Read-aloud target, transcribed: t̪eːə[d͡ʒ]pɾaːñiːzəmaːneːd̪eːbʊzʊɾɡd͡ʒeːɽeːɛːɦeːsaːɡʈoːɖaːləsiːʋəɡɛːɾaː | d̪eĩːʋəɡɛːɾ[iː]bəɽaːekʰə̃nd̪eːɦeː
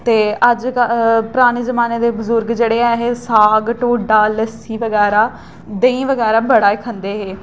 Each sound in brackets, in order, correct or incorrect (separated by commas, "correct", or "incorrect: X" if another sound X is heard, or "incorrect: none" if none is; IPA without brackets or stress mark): correct, incorrect: aː